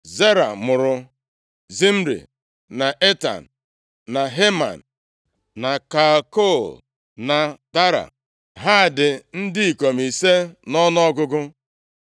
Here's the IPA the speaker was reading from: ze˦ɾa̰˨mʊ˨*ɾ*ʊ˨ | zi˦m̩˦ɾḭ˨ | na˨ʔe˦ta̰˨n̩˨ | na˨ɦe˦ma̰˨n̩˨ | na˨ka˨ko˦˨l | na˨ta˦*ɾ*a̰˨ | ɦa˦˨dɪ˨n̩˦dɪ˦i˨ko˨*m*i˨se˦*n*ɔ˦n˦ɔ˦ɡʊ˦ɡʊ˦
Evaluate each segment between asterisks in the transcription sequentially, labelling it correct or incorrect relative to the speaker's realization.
correct, correct, correct, correct

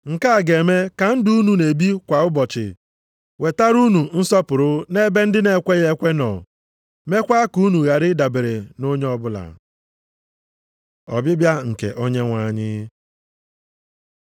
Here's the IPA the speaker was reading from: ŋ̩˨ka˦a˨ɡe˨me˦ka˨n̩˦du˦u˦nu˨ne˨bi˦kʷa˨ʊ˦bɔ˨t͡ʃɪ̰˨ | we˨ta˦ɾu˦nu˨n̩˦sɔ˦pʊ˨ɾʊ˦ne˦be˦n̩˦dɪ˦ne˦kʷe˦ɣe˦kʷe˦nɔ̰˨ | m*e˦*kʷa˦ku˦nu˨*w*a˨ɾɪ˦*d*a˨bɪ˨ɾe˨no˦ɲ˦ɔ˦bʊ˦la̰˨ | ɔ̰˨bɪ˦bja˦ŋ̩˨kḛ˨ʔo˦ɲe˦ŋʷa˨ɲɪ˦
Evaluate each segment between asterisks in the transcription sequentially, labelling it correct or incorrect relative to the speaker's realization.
correct, incorrect: ɣ, correct

